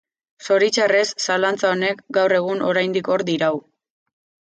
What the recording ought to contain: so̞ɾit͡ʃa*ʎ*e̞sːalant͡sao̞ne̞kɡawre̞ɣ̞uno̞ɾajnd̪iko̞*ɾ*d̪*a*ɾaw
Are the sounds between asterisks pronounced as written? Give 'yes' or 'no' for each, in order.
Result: no, yes, no

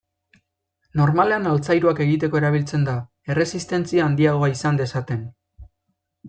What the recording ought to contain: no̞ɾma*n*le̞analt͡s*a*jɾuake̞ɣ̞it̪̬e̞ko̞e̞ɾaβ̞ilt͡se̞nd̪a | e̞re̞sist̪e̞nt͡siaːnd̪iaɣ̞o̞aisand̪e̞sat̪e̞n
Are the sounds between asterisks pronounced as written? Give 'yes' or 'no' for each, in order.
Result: no, yes

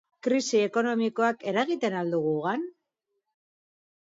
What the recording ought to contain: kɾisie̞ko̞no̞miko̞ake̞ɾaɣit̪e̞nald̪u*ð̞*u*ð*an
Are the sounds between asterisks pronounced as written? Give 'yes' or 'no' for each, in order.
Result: no, no

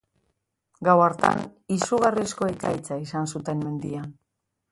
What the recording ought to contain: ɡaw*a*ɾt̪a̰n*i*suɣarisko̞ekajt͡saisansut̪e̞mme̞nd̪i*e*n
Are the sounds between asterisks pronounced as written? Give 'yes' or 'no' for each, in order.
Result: yes, yes, no

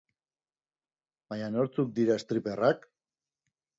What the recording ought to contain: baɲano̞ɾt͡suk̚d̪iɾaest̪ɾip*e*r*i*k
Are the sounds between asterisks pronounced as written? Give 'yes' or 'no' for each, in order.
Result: yes, no

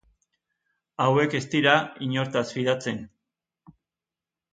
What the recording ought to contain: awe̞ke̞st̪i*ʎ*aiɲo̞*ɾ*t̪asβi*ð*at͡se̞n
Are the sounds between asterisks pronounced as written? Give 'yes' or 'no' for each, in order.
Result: no, yes, yes

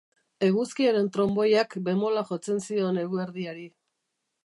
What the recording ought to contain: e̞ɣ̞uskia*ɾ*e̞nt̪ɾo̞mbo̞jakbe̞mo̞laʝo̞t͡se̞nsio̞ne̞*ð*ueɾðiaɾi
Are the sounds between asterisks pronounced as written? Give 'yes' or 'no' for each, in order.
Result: yes, no

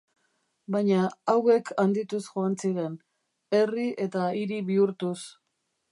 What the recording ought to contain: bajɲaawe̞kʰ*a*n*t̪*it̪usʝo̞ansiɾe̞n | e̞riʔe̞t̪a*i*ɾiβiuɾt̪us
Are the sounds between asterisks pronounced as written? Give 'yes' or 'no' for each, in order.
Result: yes, no, yes

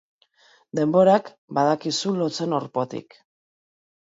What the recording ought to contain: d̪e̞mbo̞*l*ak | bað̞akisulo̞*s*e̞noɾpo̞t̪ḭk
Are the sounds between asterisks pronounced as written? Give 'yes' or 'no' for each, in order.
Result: no, no

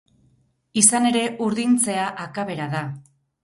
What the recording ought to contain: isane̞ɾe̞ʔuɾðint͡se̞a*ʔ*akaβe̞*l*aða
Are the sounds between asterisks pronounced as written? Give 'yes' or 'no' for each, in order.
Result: yes, no

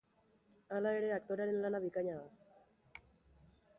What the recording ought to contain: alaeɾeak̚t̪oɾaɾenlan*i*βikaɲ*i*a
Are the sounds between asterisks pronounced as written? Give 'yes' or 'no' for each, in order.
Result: no, no

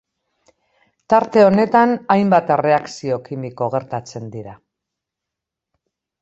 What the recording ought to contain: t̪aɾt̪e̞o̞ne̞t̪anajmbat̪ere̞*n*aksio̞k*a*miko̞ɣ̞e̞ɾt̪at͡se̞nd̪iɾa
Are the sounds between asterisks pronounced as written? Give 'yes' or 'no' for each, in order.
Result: no, no

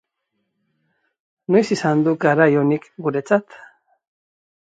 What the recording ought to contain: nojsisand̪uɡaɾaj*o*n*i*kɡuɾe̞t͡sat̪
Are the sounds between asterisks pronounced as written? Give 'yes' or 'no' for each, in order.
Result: yes, yes

